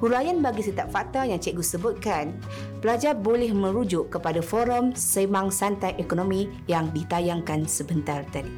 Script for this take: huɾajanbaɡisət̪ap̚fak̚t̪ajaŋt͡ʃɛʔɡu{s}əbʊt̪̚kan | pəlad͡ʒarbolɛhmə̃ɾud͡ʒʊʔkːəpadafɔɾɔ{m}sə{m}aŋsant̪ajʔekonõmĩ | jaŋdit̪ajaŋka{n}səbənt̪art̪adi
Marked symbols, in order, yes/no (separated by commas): yes, yes, yes, yes